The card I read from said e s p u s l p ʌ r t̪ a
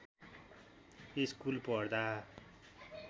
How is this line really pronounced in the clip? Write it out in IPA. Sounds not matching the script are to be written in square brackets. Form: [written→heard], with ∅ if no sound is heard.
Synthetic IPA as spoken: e s [p→k] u [s→∅] l p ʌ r [t̪→d̪] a